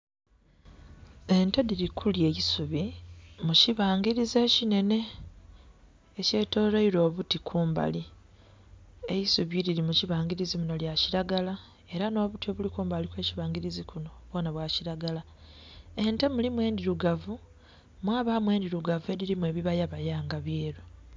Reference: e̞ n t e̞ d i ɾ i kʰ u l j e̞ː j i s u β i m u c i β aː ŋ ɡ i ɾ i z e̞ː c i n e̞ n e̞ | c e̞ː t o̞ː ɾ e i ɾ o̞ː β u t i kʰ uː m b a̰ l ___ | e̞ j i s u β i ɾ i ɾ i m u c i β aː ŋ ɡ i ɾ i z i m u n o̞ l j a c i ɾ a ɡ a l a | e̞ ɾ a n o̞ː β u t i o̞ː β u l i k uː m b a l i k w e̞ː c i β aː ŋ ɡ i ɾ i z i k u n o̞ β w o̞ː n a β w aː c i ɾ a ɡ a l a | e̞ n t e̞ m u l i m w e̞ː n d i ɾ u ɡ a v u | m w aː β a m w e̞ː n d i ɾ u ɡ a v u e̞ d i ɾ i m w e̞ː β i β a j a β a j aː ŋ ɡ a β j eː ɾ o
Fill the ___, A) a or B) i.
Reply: B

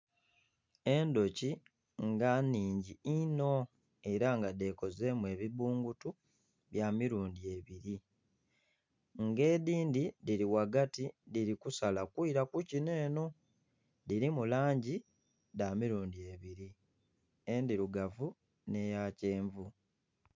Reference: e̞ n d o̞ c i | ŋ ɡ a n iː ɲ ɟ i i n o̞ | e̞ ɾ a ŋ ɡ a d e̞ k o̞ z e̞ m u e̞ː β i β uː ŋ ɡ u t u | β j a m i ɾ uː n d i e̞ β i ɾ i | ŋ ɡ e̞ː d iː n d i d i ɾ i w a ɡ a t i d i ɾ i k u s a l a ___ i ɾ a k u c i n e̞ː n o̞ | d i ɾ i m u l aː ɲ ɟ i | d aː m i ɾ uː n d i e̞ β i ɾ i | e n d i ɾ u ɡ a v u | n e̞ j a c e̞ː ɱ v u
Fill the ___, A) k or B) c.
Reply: A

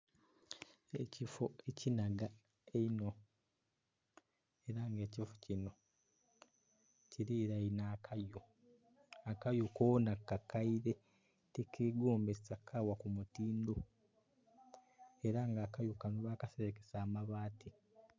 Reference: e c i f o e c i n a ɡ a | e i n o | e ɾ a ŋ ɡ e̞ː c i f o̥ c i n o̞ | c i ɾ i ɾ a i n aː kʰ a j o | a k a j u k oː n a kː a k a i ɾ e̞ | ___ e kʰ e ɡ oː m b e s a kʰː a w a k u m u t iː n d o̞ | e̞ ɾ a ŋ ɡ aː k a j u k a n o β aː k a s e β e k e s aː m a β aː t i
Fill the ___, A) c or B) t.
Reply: B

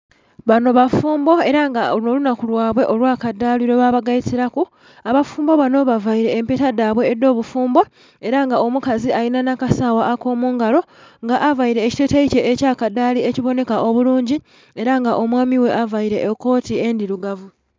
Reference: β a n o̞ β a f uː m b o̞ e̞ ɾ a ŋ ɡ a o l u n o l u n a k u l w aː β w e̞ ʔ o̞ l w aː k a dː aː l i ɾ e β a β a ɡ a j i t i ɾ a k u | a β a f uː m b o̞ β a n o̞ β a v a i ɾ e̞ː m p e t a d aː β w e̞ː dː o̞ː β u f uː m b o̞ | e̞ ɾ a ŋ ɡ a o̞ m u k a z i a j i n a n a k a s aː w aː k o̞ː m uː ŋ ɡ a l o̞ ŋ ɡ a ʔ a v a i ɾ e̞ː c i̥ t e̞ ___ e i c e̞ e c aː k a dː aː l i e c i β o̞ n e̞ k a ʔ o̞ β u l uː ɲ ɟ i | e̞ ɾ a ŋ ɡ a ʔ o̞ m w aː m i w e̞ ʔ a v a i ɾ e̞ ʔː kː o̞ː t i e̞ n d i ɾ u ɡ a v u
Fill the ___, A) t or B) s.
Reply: A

